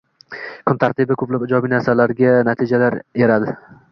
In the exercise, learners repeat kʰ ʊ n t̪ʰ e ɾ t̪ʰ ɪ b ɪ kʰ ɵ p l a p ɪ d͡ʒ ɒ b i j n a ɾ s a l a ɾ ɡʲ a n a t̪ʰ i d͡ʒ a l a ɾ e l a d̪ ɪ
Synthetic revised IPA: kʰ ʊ n t̪ʰ a ɾ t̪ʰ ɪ b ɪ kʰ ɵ p l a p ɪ d͡ʒ ɒ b i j n a ɾ s a l a ɾ ɡʲ a n a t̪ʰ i d͡ʒ a l a ɾ e ɾ a d̪ ɪ